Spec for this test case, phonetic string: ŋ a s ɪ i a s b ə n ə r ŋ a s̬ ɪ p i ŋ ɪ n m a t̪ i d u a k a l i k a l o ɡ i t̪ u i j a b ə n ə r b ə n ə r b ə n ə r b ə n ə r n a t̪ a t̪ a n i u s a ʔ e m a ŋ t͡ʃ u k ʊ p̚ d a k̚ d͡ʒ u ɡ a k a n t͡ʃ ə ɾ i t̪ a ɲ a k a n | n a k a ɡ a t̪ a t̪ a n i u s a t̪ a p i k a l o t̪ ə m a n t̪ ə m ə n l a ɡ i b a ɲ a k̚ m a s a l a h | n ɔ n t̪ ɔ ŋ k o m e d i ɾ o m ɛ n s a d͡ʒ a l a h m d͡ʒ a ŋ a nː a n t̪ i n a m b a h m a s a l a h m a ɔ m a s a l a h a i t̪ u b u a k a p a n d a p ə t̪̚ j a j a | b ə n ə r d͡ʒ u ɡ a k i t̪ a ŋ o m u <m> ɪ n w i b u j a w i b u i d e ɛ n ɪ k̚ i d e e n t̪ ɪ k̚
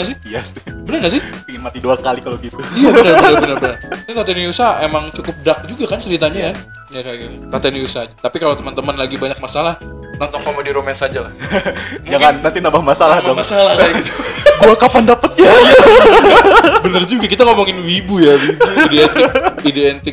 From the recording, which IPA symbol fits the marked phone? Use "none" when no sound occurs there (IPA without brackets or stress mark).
ŋ